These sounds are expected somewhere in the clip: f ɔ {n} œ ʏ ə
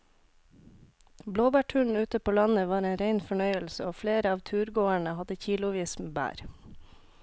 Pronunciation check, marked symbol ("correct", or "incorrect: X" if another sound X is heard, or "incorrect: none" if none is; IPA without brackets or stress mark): incorrect: ɳ